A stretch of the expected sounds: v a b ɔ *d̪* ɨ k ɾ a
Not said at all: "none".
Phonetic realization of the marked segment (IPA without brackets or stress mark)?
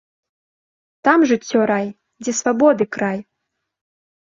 d̪